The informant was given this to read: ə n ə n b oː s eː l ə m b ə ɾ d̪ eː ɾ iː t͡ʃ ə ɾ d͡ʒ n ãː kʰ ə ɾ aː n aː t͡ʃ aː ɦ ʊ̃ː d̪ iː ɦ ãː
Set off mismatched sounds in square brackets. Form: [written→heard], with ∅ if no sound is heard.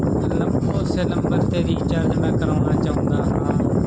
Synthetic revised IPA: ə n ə [n→m] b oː s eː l ə m b ə ɾ [d̪→t̪] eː ɾ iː t͡ʃ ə ɾ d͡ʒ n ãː [kʰ→k] ə ɾ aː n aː t͡ʃ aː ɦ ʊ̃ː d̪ [iː→aː] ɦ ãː

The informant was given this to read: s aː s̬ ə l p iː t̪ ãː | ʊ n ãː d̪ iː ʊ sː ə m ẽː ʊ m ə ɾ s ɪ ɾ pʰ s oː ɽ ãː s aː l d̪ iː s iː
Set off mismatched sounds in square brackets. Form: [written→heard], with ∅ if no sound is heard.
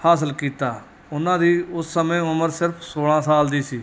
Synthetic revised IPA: [s→h] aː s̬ ə l [p→k] iː t̪ [ãː→aː] | ʊ n ãː d̪ iː ʊ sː ə m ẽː ʊ m ə ɾ s ɪ ɾ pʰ s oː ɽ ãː s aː l d̪ iː s iː

